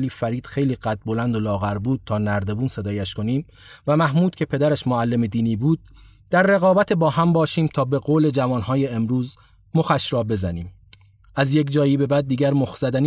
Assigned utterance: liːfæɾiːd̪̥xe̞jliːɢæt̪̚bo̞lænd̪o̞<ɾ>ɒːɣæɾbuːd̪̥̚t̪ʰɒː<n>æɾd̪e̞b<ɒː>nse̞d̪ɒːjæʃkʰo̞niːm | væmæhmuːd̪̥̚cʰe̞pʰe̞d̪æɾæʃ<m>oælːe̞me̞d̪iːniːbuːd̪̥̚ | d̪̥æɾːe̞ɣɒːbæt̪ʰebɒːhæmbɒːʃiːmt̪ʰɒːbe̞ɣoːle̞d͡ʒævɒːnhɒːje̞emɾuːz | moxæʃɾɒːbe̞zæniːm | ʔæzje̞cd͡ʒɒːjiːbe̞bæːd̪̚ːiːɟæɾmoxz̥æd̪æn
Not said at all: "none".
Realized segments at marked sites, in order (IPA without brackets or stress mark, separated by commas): l, n, uː, m